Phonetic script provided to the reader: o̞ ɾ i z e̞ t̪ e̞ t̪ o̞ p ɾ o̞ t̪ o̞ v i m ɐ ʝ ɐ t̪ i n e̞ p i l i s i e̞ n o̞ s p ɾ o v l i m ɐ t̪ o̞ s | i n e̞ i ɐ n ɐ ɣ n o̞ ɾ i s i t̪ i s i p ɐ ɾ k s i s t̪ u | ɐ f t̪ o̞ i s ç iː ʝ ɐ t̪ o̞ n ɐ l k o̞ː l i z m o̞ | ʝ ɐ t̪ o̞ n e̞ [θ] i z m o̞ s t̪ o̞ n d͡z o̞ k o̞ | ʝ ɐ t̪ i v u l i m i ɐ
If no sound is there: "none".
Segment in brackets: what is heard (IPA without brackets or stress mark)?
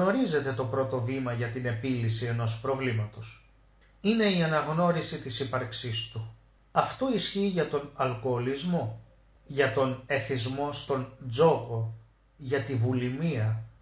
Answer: θ